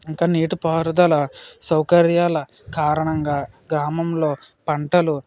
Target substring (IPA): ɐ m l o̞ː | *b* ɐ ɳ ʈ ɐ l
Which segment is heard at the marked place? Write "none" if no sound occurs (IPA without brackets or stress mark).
p